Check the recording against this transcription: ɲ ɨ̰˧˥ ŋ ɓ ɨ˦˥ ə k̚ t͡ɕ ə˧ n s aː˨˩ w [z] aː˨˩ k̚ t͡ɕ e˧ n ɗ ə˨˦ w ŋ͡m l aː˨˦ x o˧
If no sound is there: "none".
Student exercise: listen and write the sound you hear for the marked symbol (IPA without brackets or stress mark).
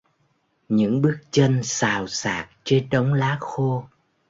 s